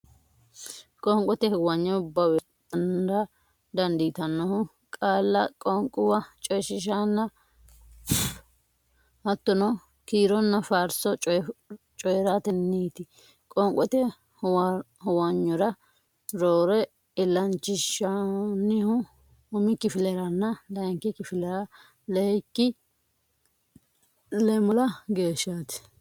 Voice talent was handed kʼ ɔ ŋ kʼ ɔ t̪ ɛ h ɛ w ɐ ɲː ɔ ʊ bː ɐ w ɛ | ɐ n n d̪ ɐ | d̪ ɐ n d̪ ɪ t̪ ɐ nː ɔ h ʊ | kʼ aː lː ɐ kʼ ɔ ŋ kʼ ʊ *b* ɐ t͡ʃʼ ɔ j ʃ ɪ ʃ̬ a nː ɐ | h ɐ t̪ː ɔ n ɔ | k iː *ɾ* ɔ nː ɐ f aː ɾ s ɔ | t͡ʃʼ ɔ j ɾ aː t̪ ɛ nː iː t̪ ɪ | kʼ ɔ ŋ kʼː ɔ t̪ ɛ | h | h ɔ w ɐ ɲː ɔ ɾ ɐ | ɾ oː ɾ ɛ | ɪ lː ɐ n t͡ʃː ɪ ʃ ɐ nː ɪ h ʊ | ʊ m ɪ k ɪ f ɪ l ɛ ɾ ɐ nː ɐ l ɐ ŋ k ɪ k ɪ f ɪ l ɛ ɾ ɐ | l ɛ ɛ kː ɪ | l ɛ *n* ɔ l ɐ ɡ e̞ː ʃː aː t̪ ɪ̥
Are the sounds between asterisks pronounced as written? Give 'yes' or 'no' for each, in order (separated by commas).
no, yes, no